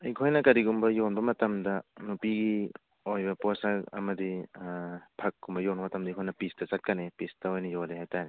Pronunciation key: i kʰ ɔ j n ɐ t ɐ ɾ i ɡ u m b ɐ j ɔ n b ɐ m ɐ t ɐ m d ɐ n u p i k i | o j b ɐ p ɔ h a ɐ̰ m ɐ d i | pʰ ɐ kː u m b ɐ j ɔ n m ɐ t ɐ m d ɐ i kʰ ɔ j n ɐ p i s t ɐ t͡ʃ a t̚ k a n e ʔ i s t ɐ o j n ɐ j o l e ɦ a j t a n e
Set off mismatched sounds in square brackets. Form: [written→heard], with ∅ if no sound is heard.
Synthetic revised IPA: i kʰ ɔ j n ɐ [t→k] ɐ ɾ i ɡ u m b ɐ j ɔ n b ɐ m ɐ t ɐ m d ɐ n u p i [k→ɡ] i | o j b ɐ p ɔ [h→s] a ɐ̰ m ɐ d i | pʰ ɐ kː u m b ɐ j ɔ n m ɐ t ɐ m d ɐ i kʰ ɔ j n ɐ p i s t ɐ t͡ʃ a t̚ k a n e [ʔ→p] i s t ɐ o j n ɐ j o l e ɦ a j t a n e